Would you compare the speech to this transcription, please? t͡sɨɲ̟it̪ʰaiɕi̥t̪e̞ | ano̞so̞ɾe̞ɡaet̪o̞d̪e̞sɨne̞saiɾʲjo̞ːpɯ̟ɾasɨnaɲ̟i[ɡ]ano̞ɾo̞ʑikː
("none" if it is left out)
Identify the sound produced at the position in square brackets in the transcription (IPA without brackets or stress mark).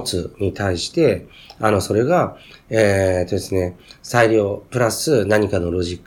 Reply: k